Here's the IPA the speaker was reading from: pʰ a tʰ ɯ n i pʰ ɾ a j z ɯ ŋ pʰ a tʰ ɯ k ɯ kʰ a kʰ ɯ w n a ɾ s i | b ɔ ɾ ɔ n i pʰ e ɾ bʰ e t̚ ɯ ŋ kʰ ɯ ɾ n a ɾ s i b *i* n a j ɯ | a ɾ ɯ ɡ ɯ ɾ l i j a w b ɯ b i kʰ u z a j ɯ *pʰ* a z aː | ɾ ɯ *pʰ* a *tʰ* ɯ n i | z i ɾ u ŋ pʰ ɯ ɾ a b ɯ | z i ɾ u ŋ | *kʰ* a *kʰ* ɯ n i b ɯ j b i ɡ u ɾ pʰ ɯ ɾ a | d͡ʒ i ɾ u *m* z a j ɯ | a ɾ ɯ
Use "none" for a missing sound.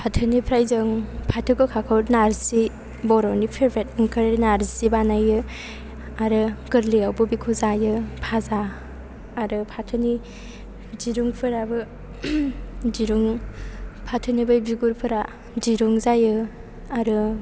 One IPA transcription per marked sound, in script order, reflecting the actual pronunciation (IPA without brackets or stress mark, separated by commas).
a, pʰ, pʰ, tʰ, pʰ, tʰ, ŋ